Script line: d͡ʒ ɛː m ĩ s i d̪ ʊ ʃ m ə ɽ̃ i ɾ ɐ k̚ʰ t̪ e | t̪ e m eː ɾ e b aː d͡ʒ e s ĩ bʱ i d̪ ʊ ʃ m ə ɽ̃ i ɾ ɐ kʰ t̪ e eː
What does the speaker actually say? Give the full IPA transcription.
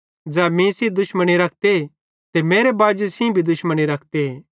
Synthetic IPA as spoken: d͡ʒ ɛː m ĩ s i d̪ ʊ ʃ m ə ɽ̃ i ɾ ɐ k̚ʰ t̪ e | t̪ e m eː ɾ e b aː d͡ʒ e s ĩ bʱ i d̪ ʊ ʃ m ə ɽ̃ i ɾ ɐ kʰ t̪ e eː

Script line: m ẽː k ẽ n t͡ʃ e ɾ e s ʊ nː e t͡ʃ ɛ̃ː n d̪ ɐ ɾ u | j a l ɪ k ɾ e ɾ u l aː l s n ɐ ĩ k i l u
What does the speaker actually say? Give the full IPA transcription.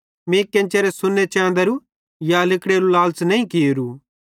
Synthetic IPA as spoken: m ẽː k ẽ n t͡ʃ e ɾ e s ʊ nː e t͡ʃ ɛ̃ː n d̪ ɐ ɾ u | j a l ɪ k ɽ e ɾ u l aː l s n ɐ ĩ k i ɾ u

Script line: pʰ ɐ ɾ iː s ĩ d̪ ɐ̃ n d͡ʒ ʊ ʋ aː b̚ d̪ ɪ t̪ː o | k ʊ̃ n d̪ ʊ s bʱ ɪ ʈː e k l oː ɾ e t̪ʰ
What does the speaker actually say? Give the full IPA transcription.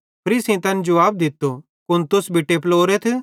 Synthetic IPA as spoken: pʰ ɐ ɾ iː s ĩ t̪ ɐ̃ n d͡ʒ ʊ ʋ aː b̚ d̪ ɪ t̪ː o | k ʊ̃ n t̪ ʊ s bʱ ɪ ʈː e p l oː ɾ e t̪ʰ

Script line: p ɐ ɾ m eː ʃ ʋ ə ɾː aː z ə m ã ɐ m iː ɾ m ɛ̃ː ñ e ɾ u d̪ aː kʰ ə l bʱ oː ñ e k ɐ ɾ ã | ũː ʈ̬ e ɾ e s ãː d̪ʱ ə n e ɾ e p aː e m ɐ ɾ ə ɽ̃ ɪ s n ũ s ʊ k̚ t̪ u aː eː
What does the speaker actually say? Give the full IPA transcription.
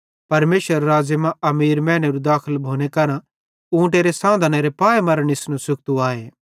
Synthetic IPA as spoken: p ɐ ɾ m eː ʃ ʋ ə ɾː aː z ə m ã ɐ m iː ɾ m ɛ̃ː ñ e ɾ u d̪ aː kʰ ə l bʱ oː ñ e k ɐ ɾ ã | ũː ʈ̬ e ɾ e s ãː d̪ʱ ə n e ɾ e p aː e m ɐ ɾ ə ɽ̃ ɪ s n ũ s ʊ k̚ t̪ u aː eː

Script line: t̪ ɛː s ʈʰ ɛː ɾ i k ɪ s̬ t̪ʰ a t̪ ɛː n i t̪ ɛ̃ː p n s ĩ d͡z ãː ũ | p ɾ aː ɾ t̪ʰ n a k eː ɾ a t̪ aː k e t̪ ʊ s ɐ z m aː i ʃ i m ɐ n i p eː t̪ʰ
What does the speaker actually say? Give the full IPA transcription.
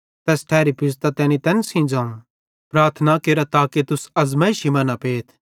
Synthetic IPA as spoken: t̪ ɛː s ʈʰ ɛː ɾ i p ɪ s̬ t̪ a t̪ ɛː n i t̪ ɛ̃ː n s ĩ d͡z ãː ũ | p ɾ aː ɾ t̪ʰ n a k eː ɾ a t̪ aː k e t̪ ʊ s ɐ z m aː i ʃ i m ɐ n a p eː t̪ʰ

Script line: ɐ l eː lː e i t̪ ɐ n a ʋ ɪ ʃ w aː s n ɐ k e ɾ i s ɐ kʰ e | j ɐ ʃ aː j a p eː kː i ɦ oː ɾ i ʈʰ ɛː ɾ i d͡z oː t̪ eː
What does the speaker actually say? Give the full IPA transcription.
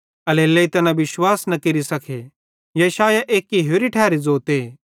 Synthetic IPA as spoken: ɐ l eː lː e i t̪ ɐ n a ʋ ɪ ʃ w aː s n ɐ k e ɾ i s ɐ kʰ e | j ɐ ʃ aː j a ʔ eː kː i ɦ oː ɾ i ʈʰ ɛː ɾ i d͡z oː t̪ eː

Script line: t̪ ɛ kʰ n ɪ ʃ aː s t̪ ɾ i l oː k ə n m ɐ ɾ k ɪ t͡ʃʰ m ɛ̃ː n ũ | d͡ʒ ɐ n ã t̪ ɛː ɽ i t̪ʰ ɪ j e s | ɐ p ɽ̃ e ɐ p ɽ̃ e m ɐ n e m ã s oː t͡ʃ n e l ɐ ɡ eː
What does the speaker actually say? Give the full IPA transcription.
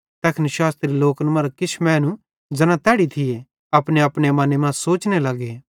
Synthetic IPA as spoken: t̪ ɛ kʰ n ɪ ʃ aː s t̪ ɾ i l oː k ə n m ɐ ɾ k ɪ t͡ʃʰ m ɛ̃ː n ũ | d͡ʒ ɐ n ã t̪ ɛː ɽ i t̪ʰ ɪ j e | ɐ p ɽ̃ e ɐ p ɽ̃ e m ɐ n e m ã s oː t͡ʃ n e l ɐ ɡ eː

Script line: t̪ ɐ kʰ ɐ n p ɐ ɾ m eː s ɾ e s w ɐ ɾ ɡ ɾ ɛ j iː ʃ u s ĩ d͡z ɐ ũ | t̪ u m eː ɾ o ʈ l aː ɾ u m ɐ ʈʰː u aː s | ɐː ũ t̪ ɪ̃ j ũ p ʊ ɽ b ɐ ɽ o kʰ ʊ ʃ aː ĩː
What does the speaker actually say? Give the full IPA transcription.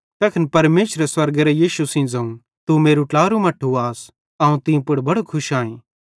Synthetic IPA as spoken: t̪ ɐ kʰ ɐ n p ɐ ɾ m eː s ɾ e s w ɐ ɾ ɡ ɾ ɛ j iː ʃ u s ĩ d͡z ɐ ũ | t̪ u m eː ɾ u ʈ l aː ɾ u m ɐ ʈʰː u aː s | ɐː ũ t̪ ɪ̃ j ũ p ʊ ɽ b ɐ ɽ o kʰ ʊ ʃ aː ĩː

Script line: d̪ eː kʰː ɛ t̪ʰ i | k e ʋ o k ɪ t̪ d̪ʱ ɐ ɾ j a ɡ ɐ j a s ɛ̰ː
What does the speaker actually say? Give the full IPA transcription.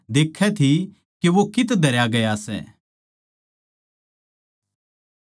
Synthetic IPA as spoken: d̪ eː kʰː ɛ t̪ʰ i | k e ʋ o k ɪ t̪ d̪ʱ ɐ ɾ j a ɡ ɐ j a s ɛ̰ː

